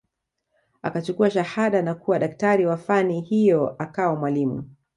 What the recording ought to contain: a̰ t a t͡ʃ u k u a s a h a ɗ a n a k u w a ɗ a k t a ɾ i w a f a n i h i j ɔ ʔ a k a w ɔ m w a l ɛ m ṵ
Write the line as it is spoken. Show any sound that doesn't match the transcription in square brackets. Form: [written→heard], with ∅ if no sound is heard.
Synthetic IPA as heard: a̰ [t→k] a t͡ʃ u k u a [s→ʃ] a h a ɗ a n a k u w a ɗ a k t a ɾ i w a f a n i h i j ɔ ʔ a k a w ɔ m w a l [ɛ→i] m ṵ